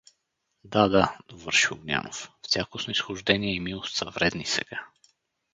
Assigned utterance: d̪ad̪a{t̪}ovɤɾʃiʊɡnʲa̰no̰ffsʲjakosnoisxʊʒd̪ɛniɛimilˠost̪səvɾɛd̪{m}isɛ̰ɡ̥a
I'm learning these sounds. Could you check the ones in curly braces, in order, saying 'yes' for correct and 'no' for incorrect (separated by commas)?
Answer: no, no